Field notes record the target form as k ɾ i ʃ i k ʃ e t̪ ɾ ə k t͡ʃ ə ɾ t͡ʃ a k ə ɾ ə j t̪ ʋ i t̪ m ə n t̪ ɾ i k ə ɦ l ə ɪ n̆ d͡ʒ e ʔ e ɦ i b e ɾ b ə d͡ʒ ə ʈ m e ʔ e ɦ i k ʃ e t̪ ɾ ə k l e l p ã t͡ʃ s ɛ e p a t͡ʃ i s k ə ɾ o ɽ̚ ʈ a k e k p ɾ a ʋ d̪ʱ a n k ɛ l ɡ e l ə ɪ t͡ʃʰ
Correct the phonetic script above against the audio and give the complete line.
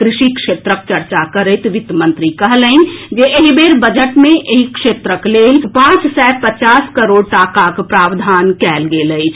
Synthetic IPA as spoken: k ɾ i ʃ i k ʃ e t̪ ɾ ə k t͡ʃ ə ɾ t͡ʃ a k ə ɾ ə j t̪ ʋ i t̪ m ə n t̪ ɾ i k ə ɦ l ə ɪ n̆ d͡ʒ e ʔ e ɦ i b e ɾ b ə d͡ʒ ə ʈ m e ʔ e ɦ i k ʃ e t̪ ɾ ə k l e l p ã t͡ʃ s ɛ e p ə t͡ʃ a s k ə ɾ o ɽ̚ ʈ a k a k p ɾ a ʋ d̪ʱ a n k ɛ l ɡ e l ə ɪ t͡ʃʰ